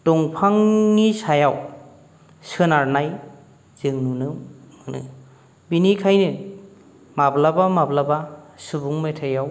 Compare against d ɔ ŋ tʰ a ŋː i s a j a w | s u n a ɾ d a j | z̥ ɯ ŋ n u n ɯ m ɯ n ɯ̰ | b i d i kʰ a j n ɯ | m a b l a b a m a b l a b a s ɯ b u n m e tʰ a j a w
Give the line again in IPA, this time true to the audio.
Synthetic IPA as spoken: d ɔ ŋ pʰ a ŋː i s a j a w | s ɯ n a ɾ n a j | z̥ ɯ ŋ n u n ɯ m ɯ n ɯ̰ | b i n i kʰ a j n ɯ | m a b l a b a m a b l a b a s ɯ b u ŋ m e tʰ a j a w